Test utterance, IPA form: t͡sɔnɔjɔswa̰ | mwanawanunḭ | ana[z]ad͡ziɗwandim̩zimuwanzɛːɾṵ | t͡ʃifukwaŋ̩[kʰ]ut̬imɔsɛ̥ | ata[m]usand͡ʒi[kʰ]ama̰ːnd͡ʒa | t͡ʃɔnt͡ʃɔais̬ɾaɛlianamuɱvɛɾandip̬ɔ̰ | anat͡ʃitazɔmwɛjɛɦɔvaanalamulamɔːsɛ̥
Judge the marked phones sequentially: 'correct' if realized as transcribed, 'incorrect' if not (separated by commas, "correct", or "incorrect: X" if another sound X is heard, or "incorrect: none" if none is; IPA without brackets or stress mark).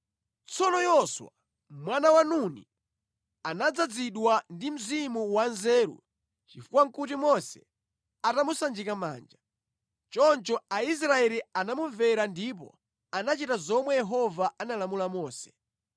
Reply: incorrect: d͡z, incorrect: k, correct, incorrect: k